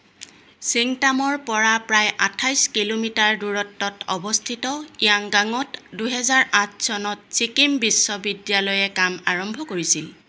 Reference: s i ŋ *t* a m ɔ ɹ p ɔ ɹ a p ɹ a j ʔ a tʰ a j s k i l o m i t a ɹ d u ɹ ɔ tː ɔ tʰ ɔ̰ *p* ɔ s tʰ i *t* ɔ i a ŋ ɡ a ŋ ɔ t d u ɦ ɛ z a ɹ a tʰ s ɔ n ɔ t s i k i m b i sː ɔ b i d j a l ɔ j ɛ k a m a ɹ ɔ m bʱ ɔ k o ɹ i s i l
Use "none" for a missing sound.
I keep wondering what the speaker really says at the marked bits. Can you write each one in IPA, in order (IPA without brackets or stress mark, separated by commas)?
t, b, t